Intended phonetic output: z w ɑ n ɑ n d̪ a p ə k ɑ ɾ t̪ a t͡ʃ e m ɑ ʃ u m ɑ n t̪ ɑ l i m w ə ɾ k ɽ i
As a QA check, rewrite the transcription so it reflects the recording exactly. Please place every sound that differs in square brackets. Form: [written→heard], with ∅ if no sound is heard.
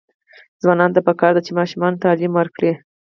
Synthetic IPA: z w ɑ n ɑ n [d̪→t̪] a p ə k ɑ ɾ [t̪→d̪] a t͡ʃ e m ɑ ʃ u m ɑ n t̪ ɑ l i m w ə ɾ k ɽ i